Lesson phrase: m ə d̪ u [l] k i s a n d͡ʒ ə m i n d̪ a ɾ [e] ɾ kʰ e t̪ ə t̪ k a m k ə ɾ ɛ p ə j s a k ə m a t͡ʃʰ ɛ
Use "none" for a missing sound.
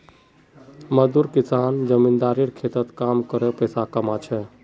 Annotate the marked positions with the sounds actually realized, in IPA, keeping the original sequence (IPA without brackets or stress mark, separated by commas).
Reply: ɾ, i